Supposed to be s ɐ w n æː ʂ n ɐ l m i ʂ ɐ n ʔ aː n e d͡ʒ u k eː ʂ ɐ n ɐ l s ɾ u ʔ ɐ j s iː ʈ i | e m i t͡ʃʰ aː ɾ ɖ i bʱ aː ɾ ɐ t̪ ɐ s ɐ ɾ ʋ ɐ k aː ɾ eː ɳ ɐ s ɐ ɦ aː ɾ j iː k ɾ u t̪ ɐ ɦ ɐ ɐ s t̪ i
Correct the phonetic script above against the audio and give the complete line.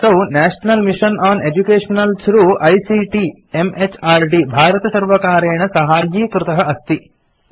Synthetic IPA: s ɐ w n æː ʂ n ɐ l m i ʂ ɐ n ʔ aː n e d͡ʒ u k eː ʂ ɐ n ɐ l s ɾ u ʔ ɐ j s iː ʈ i | e m e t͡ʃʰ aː ɾ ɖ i bʱ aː ɾ ɐ t̪ ɐ s ɐ ɾ ʋ ɐ k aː ɾ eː ɳ ɐ s ɐ ɦ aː ɾ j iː k ɾ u t̪ ɐ ɦ ɐ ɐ s t̪ i

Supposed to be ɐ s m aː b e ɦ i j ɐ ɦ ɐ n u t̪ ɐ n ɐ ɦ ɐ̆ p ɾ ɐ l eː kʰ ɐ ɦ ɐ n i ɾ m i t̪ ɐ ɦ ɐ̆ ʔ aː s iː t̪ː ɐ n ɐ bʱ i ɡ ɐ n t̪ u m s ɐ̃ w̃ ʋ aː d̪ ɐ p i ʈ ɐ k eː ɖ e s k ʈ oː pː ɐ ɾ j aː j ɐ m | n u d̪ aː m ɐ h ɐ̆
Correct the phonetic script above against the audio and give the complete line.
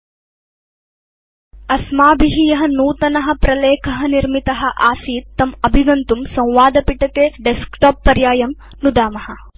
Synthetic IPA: ɐ s m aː b i ɦ i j ɐ ɦ ɐ n uː t̪ ɐ n ɐ ɦ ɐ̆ p ɾ ɐ l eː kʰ ɐ ɦ ɐ n i ɾ m i t̪ ɐ ɦ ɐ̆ ʔ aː s iː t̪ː ɐ m ɐ bʱ i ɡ ɐ n t̪ u m s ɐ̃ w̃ ʋ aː d̪ ɐ p i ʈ ɐ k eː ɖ e s k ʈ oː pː ɐ ɾ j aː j ɐ m | n u d̪ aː m ɐ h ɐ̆

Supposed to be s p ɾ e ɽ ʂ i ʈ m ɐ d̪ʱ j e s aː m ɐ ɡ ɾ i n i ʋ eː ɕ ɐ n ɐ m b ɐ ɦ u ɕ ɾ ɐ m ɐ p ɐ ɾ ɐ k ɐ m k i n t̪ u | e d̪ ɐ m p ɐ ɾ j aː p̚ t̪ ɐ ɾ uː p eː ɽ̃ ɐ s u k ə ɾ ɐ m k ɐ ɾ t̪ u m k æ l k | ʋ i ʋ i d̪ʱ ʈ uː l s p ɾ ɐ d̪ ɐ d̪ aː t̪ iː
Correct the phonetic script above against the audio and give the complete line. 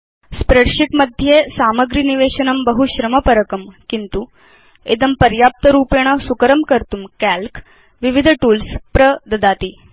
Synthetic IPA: s p ɾ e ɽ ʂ i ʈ m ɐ d̪ʱ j e s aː m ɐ ɡ ɾ i n i ʋ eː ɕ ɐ n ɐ m b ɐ ɦ u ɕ ɾ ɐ m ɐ p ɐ ɾ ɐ k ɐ m k i n t̪ u | e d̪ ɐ m p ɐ ɾ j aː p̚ t̪ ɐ ɾ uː p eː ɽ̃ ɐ s u k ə ɾ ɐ m k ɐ ɾ t̪ u m k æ l k | ʋ i ʋ i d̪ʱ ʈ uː l s p ɾ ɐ d̪ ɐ d̪ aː t̪ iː

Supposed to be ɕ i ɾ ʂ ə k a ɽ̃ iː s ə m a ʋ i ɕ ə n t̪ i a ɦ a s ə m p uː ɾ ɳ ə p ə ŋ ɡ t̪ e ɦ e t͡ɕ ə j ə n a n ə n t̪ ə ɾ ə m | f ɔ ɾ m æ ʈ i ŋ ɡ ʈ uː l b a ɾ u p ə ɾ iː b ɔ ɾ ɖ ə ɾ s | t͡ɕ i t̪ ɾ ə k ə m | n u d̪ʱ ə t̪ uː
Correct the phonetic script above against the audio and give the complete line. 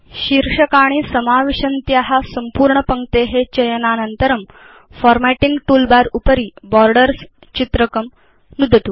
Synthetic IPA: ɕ i ɾ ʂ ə k a ɽ̃ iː s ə m a ʋ i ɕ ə n t̪ j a ɦ a s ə m p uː ɾ ɳ ə p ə ŋ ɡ t̪ e ɦ e t͡ɕ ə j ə n a n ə n t̪ ə ɾ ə m | f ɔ ɾ m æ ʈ i ŋ ɡ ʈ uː l b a ɾ u p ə ɾ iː b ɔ ɾ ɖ ə ɾ s | t͡ɕ i t̪ ɾ ə k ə m | n u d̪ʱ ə t̪ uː

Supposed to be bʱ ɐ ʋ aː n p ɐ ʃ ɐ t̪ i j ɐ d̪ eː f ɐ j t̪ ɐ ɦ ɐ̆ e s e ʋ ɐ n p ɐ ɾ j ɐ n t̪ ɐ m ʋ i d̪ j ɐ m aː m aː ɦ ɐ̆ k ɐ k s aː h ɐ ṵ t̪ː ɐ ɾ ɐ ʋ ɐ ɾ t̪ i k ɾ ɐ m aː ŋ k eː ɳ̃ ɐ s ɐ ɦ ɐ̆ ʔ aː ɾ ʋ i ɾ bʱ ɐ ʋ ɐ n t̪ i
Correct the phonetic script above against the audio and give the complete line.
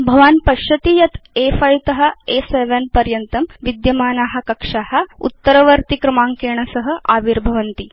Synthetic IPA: bʱ ɐ ʋ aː n p ɐ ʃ ɐ t̪ i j ɐ t̪ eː f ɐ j t̪ ɐ ɦ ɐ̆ e s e ʋ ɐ n p ɐ ɾ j ɐ n t̪ ɐ m ʋ i d̪ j ɐ m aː n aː ɦ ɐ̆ k ɐ k ʂ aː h ɐ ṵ t̪ː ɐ ɾ ɐ ʋ ɐ ɾ t̪ i k ɾ ɐ m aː ŋ k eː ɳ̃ ɐ s ɐ ɦ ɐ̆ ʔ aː ʋ i ɾ bʱ ɐ ʋ ɐ n t̪ i

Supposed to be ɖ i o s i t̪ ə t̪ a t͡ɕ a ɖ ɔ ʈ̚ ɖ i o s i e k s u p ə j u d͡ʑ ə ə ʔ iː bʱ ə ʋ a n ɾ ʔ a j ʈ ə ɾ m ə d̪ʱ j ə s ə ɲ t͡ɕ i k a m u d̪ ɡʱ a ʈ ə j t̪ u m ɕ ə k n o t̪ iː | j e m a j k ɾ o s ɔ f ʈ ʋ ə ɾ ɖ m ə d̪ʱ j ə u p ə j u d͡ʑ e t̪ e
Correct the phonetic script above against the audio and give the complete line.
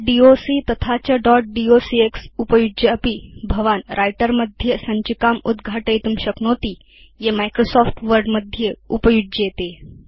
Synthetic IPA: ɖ i o s i t̪ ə t̪ʰ a t͡ɕ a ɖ ɔ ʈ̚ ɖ i o s i e k s u p ə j u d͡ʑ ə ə p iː bʱ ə ʋ a n ɾ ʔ a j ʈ ə ɾ m ə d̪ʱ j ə s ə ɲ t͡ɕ i k a m u d̪ ɡʱ a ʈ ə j t̪ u m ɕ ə k n o t̪ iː | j e m a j k ɾ o s ɔ f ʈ ʋ ə ɾ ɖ m ə d̪ʱ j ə u p ə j u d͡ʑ e t̪ e

